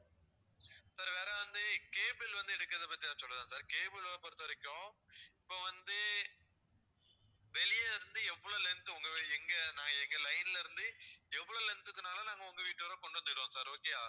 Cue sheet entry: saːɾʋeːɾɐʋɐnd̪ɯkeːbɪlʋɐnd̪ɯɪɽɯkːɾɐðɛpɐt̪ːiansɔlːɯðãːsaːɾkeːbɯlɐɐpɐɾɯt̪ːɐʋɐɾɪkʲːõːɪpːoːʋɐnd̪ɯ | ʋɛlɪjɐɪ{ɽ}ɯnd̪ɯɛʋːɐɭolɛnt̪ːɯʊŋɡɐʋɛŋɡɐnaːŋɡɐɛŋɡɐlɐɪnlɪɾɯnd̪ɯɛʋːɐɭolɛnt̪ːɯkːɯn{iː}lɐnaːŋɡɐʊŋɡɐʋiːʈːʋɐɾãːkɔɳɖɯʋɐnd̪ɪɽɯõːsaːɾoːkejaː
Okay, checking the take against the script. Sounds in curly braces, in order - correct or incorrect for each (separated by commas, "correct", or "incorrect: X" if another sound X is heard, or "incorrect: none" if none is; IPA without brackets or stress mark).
incorrect: ɾ, incorrect: aː